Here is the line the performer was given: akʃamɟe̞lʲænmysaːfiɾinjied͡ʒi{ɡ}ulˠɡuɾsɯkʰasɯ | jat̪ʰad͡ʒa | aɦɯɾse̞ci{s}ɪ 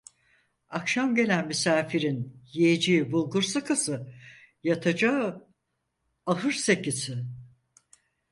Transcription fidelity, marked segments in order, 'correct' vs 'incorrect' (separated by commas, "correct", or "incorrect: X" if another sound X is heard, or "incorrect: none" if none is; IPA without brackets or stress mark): incorrect: b, correct